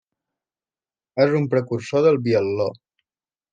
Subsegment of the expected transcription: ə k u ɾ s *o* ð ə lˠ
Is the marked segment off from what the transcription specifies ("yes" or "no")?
no